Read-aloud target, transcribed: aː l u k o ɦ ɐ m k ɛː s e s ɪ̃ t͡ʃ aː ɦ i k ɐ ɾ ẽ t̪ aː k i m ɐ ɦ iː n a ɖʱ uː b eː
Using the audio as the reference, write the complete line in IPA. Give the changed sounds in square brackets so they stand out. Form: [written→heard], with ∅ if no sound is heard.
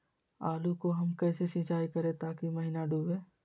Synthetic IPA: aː l u k o ɦ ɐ m k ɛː s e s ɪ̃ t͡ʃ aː [ɦ→∅] i k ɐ ɾ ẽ t̪ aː k i m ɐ ɦ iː n a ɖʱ uː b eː